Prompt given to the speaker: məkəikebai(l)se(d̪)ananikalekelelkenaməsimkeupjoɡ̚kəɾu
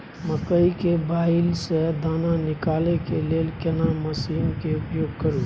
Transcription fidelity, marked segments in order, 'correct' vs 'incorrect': correct, correct

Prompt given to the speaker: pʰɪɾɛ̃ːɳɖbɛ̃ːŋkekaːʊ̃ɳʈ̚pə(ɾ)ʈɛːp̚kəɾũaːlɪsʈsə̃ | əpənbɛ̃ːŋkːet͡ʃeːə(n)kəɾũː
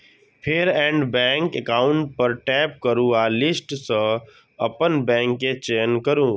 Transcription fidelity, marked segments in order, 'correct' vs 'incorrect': correct, correct

